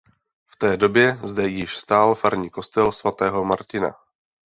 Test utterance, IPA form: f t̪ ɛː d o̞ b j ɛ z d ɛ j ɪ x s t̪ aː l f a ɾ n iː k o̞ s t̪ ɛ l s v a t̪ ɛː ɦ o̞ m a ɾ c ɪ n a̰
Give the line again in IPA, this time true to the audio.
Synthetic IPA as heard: f t̪ ɛː d o̞ b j ɛ z d ɛ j ɪ ʃ s t̪ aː l f a ɾ ɲ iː k o̞ s t̪ ɛ l s v a t̪ ɛː ɦ o̞ m a ɾ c ɪ n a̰